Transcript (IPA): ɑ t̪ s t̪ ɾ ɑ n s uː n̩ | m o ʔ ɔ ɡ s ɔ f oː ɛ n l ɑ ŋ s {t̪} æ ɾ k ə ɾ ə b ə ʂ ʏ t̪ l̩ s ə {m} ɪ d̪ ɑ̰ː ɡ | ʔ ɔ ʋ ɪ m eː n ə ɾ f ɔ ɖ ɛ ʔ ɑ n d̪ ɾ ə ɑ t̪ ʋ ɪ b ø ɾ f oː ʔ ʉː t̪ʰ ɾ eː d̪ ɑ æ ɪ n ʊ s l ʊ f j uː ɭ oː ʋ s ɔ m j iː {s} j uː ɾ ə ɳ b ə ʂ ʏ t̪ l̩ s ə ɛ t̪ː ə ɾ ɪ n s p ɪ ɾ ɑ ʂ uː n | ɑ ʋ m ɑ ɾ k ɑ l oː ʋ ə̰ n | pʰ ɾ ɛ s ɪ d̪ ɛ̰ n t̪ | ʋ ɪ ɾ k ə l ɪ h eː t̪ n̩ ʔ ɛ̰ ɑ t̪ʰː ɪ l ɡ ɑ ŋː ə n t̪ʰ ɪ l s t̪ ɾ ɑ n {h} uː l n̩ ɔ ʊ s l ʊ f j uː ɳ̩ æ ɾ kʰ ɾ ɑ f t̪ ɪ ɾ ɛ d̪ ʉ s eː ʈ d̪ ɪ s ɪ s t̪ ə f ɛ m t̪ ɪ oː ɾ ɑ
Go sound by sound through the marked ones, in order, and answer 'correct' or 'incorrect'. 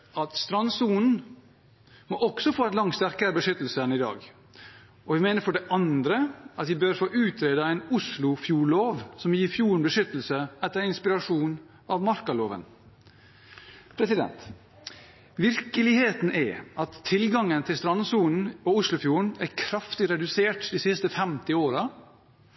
correct, incorrect, incorrect, incorrect

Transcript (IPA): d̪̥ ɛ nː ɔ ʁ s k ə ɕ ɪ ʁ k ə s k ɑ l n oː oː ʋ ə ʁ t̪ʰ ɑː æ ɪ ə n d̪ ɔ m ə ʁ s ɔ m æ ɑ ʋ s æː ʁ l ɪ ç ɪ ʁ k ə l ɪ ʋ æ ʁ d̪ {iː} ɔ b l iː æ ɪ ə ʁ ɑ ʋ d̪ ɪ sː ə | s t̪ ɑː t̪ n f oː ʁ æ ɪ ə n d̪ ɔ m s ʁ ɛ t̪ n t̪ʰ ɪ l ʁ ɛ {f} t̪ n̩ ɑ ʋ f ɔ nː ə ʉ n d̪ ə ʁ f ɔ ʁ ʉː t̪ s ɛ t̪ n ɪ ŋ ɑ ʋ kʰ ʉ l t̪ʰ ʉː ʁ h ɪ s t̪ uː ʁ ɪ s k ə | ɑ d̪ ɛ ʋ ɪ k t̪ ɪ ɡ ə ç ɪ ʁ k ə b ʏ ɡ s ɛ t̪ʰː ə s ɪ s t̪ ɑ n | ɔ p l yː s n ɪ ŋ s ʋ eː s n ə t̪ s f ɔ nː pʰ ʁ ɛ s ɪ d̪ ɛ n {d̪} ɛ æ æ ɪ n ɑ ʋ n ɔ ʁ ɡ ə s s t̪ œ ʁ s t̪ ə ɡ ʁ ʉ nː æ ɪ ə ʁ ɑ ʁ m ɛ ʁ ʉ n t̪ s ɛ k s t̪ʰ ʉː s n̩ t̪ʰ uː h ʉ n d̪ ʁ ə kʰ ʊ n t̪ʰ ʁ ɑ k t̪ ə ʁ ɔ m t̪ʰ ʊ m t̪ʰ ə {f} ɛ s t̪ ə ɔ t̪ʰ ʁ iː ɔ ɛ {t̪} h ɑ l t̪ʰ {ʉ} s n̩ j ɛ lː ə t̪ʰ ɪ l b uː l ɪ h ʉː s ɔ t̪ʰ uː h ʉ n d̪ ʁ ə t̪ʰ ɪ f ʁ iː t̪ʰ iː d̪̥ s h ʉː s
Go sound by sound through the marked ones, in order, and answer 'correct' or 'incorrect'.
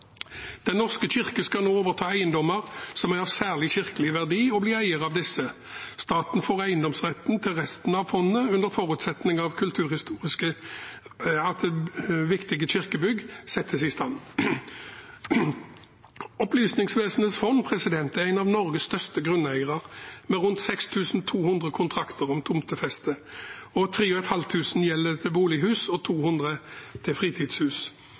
correct, incorrect, incorrect, correct, correct, incorrect

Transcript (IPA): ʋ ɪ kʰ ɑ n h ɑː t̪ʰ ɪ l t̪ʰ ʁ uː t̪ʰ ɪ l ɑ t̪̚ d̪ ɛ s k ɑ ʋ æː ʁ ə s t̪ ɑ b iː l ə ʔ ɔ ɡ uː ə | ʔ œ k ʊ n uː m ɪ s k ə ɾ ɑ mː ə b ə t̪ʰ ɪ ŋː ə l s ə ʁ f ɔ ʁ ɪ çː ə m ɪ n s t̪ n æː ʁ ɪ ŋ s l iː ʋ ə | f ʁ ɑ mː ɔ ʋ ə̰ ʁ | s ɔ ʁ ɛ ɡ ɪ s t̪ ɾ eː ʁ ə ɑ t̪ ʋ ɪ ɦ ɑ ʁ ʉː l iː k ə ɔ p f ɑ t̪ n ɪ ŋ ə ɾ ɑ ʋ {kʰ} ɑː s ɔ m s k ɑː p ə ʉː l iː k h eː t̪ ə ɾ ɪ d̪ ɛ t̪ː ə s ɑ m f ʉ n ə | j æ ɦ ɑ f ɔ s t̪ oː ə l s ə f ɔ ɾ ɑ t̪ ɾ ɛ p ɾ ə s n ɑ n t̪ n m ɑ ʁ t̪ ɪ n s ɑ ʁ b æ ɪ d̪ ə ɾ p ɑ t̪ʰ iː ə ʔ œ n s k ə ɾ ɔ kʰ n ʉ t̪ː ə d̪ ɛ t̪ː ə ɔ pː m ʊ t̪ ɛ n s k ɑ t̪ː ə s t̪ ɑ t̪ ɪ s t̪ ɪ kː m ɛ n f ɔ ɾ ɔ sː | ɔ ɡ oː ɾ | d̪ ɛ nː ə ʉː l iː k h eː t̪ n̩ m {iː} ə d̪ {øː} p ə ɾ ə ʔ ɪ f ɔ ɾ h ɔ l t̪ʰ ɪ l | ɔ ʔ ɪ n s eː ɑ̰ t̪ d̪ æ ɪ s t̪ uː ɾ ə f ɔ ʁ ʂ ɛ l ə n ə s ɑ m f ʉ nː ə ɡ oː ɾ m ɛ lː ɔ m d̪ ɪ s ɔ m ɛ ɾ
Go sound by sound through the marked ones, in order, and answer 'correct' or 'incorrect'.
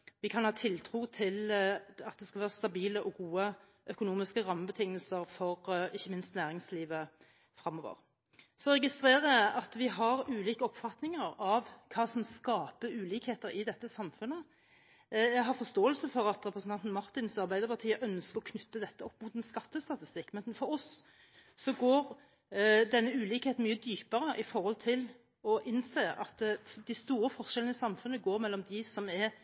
correct, incorrect, incorrect

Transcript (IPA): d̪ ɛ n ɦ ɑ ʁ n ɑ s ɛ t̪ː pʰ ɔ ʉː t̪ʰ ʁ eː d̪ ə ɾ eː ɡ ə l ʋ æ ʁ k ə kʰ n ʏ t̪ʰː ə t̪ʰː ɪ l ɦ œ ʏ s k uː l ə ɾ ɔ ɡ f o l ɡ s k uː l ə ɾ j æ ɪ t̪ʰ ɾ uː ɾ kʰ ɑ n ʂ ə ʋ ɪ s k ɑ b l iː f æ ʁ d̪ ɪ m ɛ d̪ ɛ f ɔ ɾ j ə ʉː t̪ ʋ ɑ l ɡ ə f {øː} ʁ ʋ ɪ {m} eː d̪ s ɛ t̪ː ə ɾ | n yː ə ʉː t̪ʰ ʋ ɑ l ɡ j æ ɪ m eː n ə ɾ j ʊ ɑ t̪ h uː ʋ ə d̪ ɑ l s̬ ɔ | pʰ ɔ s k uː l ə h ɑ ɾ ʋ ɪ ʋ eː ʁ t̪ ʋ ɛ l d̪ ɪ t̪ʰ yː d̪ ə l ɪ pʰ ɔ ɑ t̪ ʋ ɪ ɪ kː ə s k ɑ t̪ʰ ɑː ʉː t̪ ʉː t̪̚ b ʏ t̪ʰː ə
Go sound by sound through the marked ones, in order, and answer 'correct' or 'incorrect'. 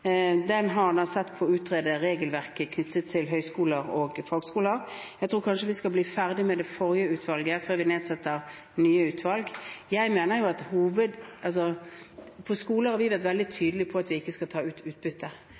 correct, incorrect

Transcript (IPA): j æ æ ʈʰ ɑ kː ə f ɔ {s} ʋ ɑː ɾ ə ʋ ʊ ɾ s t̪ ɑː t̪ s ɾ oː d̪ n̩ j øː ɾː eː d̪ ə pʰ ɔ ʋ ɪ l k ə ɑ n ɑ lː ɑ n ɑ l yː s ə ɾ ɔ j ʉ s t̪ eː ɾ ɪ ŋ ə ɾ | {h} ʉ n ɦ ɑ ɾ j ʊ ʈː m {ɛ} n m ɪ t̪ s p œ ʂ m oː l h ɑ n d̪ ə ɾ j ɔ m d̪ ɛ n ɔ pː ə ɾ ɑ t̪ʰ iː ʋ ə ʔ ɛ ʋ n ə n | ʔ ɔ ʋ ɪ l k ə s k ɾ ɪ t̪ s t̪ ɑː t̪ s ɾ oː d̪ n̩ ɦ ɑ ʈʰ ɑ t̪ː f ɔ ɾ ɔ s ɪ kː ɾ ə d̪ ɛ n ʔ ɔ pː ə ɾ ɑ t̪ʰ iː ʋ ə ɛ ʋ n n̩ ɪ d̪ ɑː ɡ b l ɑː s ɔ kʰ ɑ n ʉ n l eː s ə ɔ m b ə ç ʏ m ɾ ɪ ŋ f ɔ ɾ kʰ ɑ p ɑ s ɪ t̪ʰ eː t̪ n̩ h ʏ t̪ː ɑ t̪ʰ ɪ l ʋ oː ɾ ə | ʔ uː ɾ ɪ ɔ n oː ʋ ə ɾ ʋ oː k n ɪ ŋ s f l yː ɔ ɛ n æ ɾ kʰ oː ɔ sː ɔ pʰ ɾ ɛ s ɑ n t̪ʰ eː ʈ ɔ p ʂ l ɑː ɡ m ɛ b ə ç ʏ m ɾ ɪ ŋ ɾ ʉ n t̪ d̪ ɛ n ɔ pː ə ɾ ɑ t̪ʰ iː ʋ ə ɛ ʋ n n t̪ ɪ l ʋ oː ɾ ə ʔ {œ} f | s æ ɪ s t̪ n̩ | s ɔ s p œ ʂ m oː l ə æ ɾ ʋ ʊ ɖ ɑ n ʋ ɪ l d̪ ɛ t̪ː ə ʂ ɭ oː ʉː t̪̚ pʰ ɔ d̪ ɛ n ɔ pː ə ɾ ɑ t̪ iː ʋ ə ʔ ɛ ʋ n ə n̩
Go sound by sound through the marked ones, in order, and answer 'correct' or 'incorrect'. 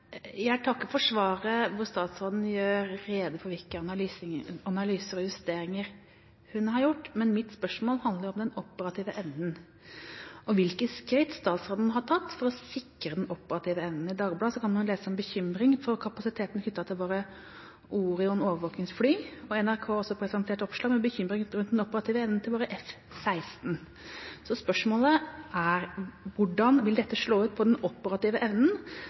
incorrect, correct, correct, incorrect

